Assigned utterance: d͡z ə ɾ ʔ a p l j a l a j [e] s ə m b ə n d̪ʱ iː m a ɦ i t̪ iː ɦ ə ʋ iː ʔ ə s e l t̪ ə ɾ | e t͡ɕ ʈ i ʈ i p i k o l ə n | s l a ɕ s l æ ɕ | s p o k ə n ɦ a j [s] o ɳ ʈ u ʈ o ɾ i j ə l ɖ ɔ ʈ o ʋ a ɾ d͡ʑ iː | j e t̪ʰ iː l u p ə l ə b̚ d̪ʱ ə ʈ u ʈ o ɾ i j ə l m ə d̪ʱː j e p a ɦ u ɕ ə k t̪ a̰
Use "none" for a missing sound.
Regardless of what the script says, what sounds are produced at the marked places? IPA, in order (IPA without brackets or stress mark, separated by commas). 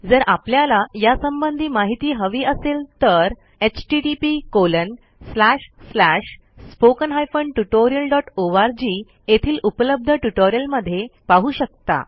a, f